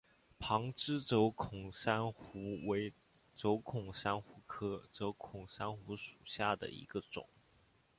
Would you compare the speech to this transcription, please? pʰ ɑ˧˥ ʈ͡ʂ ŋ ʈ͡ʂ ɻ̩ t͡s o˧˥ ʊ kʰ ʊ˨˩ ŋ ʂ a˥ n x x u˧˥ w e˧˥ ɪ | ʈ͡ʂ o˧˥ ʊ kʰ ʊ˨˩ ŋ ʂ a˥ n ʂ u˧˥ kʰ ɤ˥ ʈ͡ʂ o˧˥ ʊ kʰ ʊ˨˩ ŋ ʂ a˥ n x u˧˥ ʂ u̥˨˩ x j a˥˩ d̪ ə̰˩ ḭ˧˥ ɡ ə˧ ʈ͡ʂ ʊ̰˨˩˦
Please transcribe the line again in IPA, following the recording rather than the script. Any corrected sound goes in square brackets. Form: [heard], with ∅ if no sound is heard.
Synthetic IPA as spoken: pʰ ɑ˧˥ [∅] ŋ ʈ͡ʂ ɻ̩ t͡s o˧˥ ʊ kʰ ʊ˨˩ ŋ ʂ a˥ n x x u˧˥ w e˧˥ ɪ | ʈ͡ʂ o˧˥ ʊ kʰ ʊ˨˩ ŋ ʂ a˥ n [x] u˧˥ kʰ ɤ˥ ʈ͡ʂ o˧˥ ʊ kʰ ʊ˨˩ ŋ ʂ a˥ n x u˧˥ ʂ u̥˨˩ [ɕ] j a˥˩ d̪ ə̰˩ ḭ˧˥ ɡ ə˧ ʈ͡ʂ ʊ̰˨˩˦

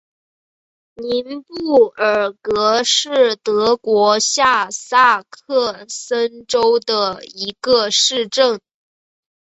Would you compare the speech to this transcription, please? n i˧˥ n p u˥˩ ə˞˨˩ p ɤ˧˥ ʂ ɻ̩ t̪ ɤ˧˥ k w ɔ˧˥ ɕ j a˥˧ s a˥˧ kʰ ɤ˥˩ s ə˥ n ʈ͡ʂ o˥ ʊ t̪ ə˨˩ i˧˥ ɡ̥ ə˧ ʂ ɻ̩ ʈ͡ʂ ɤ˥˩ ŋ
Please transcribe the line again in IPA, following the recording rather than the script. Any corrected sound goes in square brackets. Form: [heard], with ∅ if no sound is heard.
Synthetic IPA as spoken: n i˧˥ n p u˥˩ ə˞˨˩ [k] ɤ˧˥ ʂ ɻ̩ t̪ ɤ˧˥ k w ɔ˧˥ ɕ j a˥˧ s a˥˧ kʰ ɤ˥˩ s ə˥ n ʈ͡ʂ o˥ ʊ [d̪] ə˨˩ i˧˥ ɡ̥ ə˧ ʂ ɻ̩ ʈ͡ʂ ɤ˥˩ ŋ

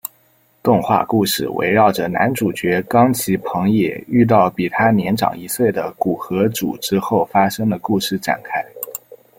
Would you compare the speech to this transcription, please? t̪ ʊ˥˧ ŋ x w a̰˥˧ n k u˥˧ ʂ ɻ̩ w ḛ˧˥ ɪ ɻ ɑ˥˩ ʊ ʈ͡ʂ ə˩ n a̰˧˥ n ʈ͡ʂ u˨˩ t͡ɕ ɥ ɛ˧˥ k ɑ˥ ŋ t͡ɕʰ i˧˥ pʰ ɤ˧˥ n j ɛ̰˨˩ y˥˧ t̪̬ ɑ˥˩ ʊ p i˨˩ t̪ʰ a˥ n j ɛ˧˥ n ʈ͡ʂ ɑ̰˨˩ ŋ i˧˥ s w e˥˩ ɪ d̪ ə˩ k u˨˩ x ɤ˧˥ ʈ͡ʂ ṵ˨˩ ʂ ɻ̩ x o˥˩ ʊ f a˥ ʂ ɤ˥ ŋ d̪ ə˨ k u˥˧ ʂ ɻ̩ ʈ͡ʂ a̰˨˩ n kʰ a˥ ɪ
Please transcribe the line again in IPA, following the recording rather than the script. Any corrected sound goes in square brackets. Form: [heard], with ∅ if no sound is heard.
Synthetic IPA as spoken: t̪ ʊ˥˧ ŋ x w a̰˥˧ [∅] k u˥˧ ʂ ɻ̩ w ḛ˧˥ ɪ ɻ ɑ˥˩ ʊ ʈ͡ʂ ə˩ n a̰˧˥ n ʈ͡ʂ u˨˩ t͡ɕ ɥ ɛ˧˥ k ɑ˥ ŋ t͡ɕʰ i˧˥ pʰ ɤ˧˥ [ŋ] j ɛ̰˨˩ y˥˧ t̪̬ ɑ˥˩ ʊ p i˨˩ t̪ʰ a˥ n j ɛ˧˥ n ʈ͡ʂ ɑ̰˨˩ ŋ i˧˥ s w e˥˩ ɪ d̪ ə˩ k u˨˩ x ɤ˧˥ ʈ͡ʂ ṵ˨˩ [ʈ͡ʂ] ɻ̩ x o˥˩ ʊ f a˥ ʂ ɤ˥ ŋ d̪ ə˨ k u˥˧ ʂ ɻ̩ ʈ͡ʂ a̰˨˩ n kʰ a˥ ɪ

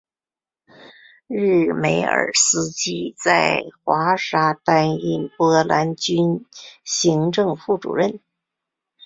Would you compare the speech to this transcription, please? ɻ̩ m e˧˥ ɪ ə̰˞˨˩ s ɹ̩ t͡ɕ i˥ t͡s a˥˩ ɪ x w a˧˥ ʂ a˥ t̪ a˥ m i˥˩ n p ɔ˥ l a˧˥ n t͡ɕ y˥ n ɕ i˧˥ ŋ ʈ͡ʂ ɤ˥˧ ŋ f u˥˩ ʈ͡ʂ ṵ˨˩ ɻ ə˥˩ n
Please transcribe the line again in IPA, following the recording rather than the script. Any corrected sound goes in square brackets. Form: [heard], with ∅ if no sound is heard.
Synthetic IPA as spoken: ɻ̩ m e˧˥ ɪ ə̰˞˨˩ s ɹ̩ t͡ɕ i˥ t͡s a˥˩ ɪ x w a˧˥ ʂ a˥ t̪ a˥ [n] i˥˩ n p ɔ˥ l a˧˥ n t͡ɕ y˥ n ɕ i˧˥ ŋ ʈ͡ʂ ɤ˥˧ ŋ f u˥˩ ʈ͡ʂ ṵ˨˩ ɻ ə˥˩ n

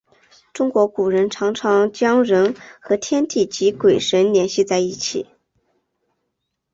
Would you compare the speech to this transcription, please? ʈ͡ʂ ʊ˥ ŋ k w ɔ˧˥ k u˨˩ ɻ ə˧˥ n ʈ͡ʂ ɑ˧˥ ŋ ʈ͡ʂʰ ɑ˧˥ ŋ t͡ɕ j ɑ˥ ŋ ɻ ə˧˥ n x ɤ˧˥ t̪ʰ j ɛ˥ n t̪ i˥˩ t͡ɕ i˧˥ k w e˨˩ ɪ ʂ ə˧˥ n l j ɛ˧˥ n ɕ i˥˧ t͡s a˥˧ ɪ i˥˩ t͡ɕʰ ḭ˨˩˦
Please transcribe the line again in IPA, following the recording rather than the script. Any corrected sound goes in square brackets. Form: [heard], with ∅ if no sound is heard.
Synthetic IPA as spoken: ʈ͡ʂ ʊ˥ ŋ k w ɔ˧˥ k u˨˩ ɻ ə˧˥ n [ʈ͡ʂʰ] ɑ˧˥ ŋ ʈ͡ʂʰ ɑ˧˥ ŋ t͡ɕ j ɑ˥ ŋ ɻ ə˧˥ n x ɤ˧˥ t̪ʰ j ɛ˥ n t̪ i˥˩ t͡ɕ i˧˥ k w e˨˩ ɪ ʂ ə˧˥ n l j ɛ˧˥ n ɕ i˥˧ t͡s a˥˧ ɪ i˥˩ t͡ɕʰ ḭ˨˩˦

